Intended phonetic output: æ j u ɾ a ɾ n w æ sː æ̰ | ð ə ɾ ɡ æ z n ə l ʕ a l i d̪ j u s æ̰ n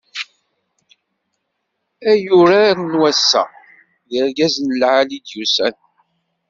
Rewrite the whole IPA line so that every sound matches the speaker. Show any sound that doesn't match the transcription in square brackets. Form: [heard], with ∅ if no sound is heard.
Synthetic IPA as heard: æ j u ɾ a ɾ n w æ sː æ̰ | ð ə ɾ ɡ æ z n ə l ʕ a l i d̪ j u s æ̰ n